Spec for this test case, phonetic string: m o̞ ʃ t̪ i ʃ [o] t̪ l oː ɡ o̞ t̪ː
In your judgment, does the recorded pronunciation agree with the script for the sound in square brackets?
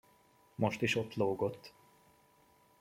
yes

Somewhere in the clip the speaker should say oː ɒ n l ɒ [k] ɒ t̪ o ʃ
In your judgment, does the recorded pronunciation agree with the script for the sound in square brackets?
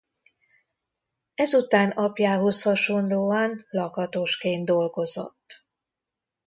yes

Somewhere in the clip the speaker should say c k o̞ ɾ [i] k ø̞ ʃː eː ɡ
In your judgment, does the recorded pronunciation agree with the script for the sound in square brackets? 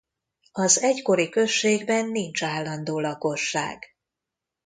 yes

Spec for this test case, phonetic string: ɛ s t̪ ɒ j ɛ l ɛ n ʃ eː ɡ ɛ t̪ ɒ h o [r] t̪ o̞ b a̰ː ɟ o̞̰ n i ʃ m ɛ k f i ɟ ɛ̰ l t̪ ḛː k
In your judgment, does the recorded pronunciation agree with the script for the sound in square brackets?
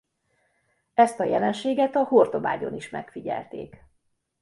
yes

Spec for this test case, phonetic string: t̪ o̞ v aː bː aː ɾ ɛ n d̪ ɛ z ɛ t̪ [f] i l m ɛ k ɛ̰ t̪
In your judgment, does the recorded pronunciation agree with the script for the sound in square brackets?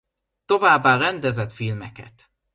yes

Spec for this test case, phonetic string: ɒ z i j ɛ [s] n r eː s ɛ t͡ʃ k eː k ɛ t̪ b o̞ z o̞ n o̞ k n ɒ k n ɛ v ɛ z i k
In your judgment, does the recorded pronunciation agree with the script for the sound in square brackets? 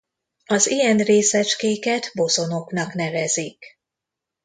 no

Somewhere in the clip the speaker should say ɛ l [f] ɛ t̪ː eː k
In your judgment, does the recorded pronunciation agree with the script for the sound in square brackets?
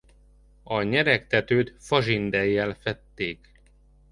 yes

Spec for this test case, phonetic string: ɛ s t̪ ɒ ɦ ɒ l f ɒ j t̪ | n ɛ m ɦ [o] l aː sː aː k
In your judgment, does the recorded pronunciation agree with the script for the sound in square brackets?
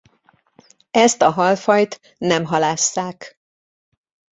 no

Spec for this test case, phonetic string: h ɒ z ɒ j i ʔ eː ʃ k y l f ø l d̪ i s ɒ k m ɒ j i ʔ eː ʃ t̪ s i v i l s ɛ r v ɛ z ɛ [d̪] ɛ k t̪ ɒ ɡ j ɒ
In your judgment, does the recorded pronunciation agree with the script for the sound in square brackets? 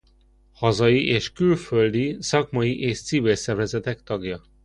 no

